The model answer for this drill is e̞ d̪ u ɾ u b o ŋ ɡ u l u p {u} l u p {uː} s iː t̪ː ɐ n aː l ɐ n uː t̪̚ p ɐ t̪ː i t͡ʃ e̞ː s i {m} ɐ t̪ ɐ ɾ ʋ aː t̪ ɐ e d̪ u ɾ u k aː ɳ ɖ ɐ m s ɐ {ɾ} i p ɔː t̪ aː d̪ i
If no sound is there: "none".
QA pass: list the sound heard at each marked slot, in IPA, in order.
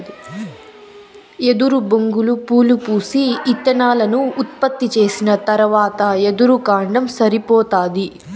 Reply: uː, uː, n, ɾ

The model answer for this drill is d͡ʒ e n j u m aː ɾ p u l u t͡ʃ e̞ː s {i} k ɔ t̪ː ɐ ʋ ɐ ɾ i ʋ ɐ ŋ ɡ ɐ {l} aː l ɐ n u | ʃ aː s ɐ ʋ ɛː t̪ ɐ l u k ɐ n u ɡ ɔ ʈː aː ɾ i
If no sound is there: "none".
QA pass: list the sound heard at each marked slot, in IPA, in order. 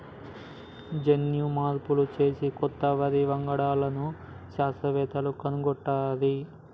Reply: i, ɽ

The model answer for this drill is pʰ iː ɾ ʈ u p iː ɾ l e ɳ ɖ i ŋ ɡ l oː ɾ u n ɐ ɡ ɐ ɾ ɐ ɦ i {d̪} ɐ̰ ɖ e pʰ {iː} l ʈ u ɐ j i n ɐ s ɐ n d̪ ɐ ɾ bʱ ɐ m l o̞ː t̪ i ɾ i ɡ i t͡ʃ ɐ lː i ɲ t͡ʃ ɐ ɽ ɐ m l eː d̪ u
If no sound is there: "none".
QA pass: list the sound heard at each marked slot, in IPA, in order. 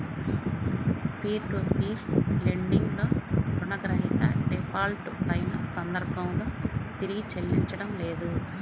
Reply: t̪, aː

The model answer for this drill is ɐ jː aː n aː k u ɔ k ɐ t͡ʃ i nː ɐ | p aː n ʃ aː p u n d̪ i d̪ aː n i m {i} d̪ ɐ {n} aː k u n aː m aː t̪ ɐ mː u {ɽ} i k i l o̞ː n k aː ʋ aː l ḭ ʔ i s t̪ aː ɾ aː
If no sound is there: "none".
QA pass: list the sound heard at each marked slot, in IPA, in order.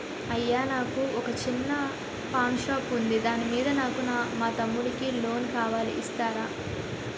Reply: iː, n, ɽ

